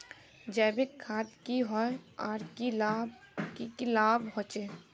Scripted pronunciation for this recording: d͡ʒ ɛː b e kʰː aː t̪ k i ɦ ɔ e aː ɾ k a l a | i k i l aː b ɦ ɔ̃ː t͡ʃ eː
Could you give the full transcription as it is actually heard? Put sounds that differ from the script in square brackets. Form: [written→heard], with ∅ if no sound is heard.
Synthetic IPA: d͡ʒ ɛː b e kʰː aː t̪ k i ɦ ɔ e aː ɾ k [a→i] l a | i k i l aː b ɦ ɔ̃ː t͡ʃ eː